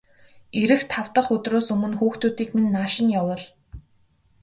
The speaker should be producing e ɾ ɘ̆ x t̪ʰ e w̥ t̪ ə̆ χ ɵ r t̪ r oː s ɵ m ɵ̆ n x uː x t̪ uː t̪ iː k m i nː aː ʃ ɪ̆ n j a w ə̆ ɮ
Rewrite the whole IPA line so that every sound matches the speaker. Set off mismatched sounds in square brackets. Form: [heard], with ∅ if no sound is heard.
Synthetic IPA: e ɾ ɘ̆ x t̪ʰ [a] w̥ t̪ ə̆ χ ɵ [∅] t̪ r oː s ɵ m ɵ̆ n x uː x t̪ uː t̪ iː k m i nː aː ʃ ɪ̆ n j a w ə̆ ɮ